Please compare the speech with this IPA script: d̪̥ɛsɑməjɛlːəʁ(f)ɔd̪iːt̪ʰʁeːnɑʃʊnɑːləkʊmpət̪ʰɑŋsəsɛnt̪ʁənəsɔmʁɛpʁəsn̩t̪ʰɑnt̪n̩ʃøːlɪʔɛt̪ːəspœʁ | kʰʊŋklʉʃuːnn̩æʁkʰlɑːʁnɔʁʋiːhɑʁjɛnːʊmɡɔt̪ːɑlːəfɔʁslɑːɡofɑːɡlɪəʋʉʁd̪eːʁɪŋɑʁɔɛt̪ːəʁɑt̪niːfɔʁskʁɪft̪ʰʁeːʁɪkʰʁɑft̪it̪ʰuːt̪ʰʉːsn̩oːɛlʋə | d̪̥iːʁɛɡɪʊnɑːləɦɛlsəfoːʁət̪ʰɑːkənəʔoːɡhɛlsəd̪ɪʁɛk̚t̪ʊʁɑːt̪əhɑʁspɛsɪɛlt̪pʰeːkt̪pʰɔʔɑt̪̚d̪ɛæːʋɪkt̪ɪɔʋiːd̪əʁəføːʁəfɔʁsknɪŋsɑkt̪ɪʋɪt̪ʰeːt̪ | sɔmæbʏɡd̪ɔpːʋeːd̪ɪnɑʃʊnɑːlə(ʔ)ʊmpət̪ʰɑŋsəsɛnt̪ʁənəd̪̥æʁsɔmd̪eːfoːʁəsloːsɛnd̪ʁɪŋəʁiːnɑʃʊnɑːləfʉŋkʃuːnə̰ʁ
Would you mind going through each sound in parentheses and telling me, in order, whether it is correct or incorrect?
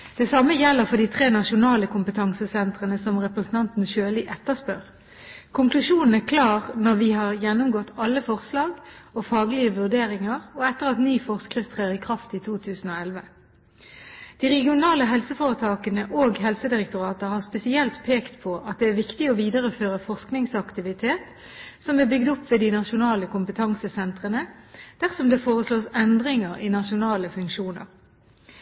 correct, incorrect

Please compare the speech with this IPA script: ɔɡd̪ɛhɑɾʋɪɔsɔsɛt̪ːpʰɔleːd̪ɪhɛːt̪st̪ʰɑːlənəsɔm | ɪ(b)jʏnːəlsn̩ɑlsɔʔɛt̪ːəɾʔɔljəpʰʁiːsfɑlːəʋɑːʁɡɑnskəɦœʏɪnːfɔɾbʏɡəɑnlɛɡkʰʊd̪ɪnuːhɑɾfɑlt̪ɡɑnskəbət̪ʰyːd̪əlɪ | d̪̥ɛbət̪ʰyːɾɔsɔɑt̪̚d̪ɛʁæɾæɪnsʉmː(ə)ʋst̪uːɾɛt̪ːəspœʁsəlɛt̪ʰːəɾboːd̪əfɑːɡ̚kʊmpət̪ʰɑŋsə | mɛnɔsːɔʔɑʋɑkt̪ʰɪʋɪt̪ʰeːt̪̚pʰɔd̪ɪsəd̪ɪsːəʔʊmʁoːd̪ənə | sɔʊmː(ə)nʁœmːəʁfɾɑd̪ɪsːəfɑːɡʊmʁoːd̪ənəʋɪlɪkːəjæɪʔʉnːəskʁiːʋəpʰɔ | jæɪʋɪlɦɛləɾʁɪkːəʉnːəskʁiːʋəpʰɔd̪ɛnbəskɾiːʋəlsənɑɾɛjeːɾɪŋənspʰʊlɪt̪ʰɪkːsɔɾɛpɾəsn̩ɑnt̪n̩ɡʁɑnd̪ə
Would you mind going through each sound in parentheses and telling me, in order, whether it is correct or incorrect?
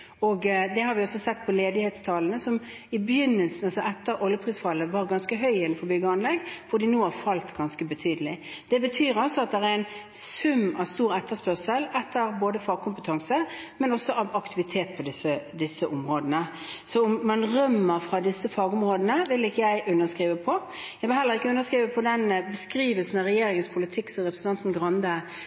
correct, incorrect, incorrect

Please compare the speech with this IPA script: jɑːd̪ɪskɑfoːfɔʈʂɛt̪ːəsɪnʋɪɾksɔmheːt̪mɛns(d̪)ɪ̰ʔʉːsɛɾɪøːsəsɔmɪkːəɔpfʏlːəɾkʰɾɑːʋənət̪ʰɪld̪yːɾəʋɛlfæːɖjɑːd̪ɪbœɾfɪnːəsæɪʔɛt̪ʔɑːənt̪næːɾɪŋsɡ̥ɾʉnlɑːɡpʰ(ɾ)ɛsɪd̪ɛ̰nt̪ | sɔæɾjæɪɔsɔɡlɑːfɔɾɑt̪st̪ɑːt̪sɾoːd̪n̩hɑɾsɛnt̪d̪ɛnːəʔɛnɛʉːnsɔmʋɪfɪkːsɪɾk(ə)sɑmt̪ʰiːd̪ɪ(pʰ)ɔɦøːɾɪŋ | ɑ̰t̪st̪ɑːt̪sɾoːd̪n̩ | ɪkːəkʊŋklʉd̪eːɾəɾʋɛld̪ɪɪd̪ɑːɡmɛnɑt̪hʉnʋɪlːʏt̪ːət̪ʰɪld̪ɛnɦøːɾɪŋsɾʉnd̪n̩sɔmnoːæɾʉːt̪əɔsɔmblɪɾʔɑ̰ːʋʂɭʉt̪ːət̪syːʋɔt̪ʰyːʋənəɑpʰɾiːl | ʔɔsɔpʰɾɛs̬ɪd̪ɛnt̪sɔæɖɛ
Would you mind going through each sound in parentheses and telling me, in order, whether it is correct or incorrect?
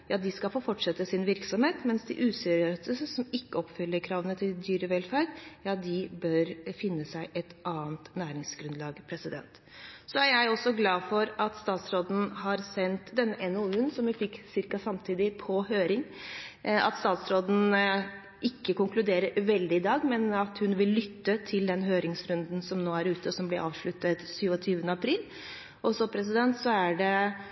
correct, correct, incorrect, correct

